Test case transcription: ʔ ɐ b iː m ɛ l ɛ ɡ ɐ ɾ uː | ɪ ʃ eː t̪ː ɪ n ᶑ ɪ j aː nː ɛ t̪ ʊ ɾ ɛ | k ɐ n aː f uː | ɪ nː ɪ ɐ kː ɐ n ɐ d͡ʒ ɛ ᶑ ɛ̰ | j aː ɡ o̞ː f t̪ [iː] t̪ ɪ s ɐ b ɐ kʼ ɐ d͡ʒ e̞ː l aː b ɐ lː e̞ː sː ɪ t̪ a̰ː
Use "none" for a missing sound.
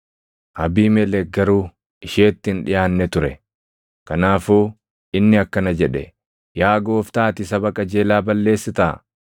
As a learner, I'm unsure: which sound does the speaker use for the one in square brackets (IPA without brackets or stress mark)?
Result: aː